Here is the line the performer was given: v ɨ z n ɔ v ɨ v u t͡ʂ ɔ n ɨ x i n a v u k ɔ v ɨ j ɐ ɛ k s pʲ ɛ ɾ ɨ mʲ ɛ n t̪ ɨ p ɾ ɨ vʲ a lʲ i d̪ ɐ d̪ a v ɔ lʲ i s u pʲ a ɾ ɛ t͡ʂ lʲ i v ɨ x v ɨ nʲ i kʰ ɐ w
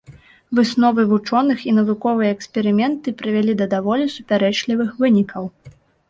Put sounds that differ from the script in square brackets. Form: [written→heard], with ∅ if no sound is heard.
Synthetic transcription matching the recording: v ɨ [z→s] n ɔ v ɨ v u t͡ʂ ɔ n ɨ x i n [a→ɐ] v u k ɔ v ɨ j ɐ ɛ k s pʲ ɛ ɾ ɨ mʲ ɛ n t̪ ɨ p ɾ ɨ vʲ a lʲ i d̪ ɐ d̪ a v ɔ lʲ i s u pʲ a ɾ ɛ t͡ʂ lʲ i v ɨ x v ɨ nʲ i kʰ ɐ w